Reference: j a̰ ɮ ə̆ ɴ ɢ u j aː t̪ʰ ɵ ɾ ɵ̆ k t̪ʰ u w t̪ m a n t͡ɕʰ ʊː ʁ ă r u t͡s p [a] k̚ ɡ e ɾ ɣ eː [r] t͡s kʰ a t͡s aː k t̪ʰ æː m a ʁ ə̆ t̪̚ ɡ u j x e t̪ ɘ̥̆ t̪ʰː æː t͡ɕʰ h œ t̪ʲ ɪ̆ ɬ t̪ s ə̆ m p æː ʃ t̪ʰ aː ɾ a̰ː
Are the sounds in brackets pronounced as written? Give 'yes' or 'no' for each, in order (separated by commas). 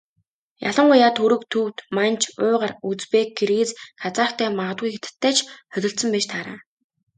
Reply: no, no